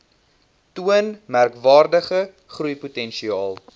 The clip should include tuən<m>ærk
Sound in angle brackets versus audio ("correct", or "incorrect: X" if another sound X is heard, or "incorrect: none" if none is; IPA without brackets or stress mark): correct